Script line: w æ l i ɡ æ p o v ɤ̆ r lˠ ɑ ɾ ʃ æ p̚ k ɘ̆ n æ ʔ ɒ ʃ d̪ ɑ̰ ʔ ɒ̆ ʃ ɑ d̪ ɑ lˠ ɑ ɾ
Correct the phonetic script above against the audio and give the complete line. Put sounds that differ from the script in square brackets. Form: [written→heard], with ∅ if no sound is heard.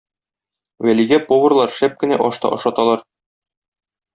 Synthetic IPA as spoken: w æ l i ɡ æ p o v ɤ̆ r lˠ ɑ ɾ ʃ æ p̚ k ɘ̆ n æ ʔ ɒ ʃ [d̪→t̪] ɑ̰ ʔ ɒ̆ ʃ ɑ [d̪→t̪] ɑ lˠ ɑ ɾ